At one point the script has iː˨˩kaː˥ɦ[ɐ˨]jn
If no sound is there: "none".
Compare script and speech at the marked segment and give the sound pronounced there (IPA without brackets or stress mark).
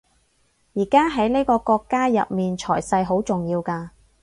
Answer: ɐ˨˥